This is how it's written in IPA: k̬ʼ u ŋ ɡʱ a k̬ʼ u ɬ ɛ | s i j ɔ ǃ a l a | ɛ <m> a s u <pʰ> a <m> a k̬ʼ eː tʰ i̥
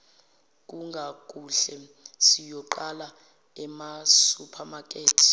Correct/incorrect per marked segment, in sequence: correct, correct, correct

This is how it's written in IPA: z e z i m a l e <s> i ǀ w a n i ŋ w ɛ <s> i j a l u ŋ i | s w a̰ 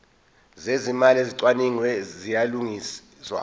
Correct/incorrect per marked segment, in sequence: incorrect: z, incorrect: z

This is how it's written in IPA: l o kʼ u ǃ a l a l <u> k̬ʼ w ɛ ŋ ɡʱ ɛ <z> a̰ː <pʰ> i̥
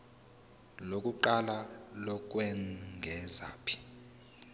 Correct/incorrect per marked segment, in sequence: incorrect: ɔ, correct, correct

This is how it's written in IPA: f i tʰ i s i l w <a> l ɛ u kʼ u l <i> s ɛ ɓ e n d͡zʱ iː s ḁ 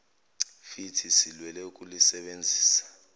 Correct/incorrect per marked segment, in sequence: incorrect: ɛ, correct

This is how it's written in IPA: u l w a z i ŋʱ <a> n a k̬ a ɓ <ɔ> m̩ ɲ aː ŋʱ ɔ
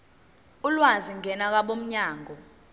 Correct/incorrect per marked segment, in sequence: incorrect: ɛ, incorrect: o

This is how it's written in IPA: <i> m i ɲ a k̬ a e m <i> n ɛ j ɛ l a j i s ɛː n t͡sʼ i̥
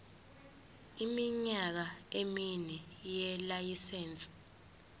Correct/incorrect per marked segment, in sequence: correct, correct

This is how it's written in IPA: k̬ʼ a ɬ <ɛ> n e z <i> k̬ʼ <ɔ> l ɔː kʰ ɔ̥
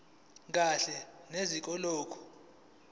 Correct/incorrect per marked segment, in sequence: correct, correct, correct

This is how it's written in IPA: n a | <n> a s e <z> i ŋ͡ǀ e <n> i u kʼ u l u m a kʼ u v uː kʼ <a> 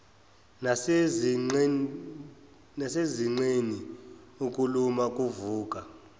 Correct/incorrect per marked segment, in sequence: correct, correct, correct, correct

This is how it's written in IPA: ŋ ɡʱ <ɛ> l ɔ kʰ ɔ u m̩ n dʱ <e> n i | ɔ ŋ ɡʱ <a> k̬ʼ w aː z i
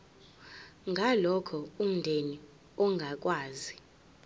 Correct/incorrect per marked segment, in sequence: incorrect: a, correct, correct

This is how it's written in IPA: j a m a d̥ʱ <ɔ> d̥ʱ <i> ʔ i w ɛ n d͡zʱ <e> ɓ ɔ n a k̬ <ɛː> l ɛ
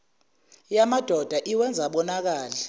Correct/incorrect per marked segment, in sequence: correct, incorrect: a, incorrect: a, incorrect: aː

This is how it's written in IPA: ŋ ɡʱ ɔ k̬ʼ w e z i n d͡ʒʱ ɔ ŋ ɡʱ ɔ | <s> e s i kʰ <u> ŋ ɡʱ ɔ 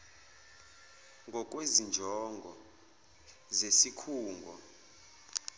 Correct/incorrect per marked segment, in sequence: incorrect: z, incorrect: uː

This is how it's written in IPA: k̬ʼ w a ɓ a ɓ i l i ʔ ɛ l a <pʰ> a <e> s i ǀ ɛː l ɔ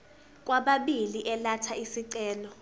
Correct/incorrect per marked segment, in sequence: incorrect: tʰ, incorrect: i

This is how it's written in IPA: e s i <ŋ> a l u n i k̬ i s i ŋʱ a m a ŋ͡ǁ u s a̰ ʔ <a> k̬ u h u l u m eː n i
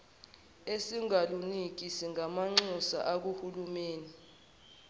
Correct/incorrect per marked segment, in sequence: correct, correct

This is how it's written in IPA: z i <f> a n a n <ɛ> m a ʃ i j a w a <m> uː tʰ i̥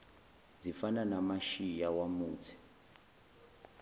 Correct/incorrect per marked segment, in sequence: correct, incorrect: a, correct

